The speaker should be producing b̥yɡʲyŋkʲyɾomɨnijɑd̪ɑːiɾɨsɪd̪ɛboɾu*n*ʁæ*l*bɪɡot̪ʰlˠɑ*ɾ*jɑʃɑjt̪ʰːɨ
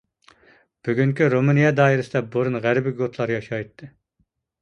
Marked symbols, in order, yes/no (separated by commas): yes, no, yes